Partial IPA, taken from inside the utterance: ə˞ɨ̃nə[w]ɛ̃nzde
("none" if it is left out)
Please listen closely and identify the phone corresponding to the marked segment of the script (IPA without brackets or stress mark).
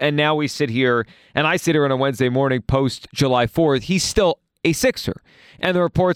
w